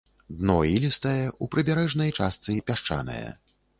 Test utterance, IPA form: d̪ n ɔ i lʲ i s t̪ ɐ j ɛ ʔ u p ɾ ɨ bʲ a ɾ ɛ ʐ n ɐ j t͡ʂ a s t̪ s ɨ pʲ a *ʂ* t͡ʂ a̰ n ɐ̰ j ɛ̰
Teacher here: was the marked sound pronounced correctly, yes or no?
yes